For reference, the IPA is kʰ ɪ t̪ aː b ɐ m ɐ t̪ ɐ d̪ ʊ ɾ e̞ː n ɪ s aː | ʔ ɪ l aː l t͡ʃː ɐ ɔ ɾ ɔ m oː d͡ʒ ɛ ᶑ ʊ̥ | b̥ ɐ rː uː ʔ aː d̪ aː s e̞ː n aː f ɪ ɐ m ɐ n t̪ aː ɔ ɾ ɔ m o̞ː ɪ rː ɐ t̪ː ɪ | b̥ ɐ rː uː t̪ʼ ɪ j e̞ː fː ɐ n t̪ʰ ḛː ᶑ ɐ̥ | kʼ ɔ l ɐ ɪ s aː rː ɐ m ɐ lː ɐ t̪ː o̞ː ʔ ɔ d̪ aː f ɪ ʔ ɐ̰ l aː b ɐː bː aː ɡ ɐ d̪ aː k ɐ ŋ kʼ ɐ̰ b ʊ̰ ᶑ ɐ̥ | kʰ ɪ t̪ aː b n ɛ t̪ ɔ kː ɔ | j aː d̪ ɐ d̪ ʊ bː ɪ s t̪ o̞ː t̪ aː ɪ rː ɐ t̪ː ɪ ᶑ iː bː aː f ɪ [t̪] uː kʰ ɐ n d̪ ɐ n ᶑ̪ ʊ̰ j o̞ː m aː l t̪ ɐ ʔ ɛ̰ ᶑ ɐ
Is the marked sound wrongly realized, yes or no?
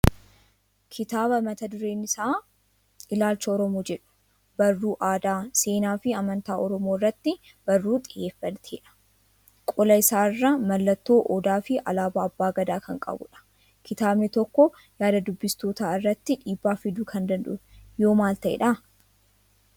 yes